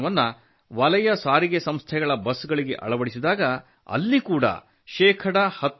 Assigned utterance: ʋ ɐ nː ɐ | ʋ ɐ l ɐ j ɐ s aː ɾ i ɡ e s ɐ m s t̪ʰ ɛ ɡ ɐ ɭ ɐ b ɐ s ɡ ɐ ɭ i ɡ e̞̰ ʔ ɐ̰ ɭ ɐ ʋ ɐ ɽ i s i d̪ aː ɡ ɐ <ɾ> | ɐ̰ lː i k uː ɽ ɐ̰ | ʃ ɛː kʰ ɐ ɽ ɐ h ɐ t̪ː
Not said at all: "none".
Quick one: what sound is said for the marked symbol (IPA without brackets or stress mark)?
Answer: none